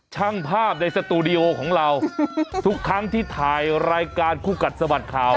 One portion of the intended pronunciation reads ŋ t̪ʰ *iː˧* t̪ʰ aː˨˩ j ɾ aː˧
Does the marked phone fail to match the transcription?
yes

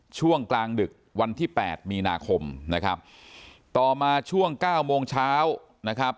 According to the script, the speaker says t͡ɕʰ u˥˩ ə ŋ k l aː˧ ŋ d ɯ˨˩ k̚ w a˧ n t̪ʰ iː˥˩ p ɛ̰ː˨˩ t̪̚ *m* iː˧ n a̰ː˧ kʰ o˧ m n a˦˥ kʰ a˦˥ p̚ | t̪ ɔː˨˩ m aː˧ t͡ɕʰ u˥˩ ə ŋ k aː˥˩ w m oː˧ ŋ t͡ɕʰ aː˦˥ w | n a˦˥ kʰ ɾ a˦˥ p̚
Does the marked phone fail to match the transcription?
no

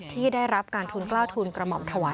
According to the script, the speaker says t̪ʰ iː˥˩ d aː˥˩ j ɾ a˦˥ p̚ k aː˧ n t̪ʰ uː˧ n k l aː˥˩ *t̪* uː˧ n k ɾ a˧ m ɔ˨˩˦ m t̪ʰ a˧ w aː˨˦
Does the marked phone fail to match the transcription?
yes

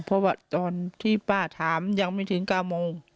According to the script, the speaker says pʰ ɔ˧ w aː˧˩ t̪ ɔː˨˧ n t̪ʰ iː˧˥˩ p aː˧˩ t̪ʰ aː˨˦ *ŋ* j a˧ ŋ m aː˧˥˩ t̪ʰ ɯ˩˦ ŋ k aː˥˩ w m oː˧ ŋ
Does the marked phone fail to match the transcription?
yes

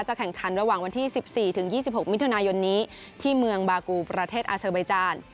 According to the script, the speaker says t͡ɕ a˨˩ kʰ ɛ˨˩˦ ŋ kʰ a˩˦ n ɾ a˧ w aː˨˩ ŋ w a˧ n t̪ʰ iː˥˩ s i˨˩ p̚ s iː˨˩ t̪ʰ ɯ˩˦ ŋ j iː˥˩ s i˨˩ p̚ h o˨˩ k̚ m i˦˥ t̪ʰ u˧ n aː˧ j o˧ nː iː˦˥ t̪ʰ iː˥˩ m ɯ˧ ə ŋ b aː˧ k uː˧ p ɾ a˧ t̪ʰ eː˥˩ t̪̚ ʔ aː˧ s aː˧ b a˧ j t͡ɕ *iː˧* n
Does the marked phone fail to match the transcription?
yes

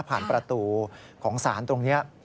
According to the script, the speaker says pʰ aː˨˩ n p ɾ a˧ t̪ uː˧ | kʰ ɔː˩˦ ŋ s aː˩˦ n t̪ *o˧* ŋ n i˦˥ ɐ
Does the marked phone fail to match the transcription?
no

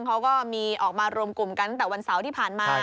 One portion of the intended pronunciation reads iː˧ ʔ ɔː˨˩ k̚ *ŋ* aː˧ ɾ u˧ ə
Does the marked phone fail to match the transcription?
yes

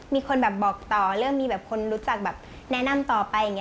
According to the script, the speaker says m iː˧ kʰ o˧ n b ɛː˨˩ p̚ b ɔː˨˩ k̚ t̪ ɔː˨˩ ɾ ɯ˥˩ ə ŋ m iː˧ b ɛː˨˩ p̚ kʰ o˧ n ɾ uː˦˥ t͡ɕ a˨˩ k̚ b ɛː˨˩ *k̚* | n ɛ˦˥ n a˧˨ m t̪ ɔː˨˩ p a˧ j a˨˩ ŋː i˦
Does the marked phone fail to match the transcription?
yes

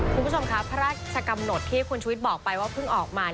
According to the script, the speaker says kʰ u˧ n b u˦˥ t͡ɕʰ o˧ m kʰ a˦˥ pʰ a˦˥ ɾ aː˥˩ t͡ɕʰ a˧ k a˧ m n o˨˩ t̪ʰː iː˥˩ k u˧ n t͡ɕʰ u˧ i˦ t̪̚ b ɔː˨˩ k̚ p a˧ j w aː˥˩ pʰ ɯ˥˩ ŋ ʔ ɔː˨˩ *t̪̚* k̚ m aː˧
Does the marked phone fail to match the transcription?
yes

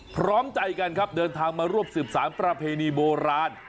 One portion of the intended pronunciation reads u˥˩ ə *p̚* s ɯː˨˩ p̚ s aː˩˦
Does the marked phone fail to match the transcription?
no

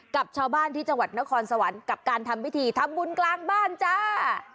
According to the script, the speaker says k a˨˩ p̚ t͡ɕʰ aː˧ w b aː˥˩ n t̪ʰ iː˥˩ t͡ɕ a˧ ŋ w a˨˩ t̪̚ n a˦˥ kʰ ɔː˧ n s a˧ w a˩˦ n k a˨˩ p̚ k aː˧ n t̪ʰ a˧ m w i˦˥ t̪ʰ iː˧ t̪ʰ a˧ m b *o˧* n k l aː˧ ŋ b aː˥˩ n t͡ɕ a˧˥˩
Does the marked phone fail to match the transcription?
yes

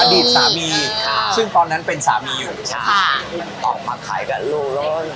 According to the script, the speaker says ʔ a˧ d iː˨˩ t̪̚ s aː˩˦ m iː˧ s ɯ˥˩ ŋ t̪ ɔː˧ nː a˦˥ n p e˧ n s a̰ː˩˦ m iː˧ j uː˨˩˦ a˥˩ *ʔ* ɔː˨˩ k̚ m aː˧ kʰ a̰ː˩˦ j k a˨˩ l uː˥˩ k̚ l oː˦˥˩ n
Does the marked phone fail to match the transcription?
no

